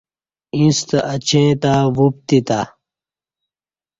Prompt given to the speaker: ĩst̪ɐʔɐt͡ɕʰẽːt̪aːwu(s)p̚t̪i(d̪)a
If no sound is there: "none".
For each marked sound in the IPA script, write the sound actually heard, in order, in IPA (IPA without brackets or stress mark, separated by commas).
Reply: none, t̪